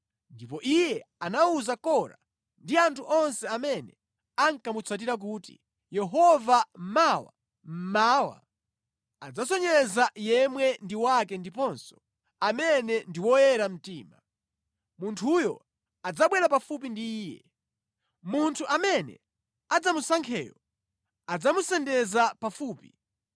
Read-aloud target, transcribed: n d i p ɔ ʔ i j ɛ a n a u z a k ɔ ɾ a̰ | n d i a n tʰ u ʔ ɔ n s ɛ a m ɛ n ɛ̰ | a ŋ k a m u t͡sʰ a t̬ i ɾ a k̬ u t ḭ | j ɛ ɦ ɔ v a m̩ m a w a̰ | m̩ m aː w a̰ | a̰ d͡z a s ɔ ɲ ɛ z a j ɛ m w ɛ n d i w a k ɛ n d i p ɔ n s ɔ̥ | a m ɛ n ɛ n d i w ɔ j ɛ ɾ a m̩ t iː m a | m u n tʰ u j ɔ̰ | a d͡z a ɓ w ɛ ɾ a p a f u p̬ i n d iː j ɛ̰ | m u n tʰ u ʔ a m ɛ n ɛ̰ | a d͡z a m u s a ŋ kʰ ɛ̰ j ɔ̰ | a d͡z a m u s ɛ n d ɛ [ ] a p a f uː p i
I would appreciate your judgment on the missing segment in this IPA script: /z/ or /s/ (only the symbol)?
z